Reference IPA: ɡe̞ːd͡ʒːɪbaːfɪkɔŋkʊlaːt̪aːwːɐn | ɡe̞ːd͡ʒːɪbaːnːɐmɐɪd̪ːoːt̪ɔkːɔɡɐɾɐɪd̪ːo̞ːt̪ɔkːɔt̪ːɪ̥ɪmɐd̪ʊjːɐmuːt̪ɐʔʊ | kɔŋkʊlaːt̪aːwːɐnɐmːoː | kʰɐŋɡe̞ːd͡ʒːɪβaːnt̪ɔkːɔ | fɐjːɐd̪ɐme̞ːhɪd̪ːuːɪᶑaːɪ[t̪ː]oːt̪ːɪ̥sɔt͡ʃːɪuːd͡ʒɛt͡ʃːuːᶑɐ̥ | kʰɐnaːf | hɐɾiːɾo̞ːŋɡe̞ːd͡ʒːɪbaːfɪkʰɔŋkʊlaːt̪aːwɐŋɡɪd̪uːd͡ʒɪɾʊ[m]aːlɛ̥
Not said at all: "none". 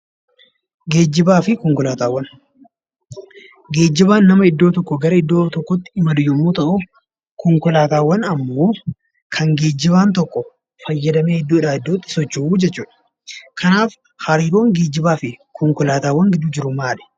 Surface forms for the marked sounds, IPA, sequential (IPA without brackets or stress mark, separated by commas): d̪ː, m